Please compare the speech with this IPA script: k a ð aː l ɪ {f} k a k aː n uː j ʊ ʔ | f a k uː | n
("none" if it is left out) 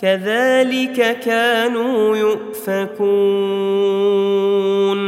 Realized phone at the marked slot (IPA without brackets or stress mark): none